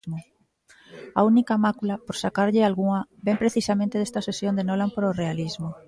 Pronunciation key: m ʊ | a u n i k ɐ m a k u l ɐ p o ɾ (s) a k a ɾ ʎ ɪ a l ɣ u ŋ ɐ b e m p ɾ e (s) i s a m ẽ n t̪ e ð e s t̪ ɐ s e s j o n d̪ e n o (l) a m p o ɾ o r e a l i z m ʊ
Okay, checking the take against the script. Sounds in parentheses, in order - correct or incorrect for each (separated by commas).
correct, incorrect, correct